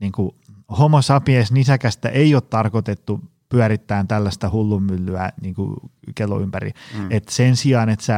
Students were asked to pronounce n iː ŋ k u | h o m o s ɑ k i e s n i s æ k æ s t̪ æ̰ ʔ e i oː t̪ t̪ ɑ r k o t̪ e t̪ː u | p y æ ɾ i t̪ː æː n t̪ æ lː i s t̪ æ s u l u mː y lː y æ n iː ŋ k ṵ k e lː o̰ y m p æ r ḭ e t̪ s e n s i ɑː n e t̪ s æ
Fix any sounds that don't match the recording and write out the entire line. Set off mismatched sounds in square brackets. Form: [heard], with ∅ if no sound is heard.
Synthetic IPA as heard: n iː ŋ k u | h o m o s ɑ [p] i e s n i s æ k æ s t̪ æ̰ ʔ e i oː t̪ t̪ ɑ r k o t̪ e t̪ː u | p y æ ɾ i t̪ː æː n t̪ æ lː [æ] s t̪ æ [h] u [lː] u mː y lː y æ n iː ŋ k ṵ k e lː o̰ y m p æ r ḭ e t̪ s e n s i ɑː n e t̪ s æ